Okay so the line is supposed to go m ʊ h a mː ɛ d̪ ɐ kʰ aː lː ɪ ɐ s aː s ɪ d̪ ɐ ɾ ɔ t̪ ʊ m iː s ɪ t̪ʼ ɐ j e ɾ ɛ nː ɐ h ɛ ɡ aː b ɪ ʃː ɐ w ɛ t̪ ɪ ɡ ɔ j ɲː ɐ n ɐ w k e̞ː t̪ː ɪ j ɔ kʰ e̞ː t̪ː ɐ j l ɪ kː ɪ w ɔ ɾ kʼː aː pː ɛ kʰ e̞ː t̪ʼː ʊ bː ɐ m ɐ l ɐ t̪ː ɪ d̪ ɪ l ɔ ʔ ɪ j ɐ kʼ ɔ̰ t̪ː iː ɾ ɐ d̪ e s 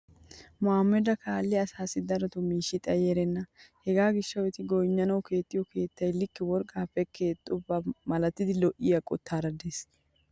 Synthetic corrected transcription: m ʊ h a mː ɛ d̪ ɐ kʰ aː lː ɪ ɐ s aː s ɪ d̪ ɐ ɾ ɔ t̪ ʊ m iː ʃ ɪ t̪ʼ ɐ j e ɾ ɛ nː ɐ h ɛ ɡ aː ɡ ɪ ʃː ɐ w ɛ t̪ ɪ ɡ ɔ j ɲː ɐ n ɐ w k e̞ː t̪ː ɪ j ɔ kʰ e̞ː t̪ː ɐ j l ɪ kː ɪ w ɔ ɾ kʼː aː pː ɛ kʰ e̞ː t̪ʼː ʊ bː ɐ m ɐ l ɐ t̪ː ɪ d̪ ɪ l ɔ ʔ ɪ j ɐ kʼ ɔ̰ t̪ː aː ɾ ɐ d̪ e s